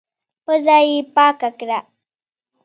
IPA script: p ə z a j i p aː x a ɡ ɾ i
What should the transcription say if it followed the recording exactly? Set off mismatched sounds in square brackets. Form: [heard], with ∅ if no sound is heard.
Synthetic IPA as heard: p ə z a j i p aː [k] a [k] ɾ [a]